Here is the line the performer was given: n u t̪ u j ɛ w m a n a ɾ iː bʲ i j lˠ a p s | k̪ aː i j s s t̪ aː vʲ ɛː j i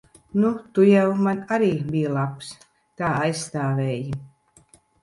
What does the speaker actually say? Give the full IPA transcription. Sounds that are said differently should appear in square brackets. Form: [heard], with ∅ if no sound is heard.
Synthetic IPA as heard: n u t̪ u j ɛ w m a n a ɾ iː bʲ i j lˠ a p s | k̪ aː [a] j s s t̪ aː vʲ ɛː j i

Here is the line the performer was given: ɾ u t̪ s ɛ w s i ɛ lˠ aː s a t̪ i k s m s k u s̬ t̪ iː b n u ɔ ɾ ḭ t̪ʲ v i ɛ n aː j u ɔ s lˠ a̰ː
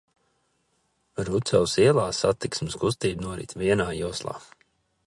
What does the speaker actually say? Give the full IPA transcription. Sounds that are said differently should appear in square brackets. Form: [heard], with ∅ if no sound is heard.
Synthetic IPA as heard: ɾ u t̪ s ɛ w s i ɛ lˠ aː s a t̪ i k s m s k u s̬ t̪ iː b n u ɔ ɾ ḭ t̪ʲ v i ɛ n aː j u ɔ s lˠ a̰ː

